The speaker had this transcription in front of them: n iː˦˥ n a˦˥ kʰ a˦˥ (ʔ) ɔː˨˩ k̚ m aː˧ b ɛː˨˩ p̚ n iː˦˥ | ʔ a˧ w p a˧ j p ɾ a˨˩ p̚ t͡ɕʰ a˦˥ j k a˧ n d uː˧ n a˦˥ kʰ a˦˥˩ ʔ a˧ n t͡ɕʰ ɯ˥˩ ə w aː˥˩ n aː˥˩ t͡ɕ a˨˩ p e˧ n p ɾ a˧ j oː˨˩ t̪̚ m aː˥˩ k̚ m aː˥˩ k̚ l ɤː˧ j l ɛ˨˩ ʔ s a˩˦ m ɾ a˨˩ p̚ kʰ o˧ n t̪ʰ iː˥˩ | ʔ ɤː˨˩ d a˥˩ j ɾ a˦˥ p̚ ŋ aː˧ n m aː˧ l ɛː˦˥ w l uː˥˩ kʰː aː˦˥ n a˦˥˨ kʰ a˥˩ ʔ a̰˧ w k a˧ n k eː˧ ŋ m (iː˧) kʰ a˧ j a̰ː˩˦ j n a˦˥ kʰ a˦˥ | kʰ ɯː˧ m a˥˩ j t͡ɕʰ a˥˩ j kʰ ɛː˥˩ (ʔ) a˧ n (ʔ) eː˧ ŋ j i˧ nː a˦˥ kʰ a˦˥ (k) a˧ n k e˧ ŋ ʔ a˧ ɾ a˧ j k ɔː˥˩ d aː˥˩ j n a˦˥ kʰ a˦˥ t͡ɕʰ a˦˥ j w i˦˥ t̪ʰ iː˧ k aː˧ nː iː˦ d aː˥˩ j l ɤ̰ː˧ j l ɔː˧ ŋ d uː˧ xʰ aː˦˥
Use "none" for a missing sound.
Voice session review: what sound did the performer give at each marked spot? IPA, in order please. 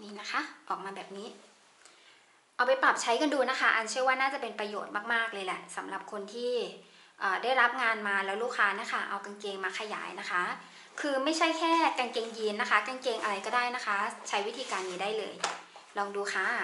ʔ, aː˧, k, k, k

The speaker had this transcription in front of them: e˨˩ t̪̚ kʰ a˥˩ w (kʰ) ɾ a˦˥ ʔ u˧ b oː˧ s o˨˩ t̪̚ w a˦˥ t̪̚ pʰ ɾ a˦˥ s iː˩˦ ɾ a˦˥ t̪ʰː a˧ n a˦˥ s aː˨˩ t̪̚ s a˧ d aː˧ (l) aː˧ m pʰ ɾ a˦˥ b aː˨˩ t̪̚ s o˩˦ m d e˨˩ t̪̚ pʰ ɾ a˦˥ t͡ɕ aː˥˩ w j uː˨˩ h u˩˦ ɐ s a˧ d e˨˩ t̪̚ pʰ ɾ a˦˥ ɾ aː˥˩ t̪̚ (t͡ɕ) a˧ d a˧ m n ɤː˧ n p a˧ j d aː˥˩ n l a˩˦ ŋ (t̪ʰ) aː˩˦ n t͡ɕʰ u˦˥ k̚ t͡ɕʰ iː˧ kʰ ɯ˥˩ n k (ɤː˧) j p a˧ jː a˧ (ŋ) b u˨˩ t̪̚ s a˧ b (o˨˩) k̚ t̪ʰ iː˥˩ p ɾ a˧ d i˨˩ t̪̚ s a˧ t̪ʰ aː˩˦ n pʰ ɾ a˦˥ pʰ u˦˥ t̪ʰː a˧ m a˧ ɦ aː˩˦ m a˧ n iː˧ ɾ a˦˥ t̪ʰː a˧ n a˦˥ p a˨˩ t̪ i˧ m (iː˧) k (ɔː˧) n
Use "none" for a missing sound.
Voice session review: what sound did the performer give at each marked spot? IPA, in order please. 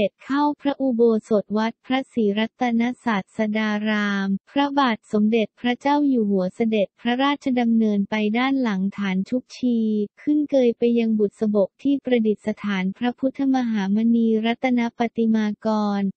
pʰ, ɾ, t͡ɕʰ, t̪ʰ, ɤː˧, ŋ, o˨˩, aː˧, ɔː˧

